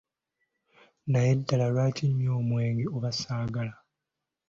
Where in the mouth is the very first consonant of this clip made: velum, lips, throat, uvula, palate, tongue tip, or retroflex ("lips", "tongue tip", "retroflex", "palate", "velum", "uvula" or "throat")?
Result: tongue tip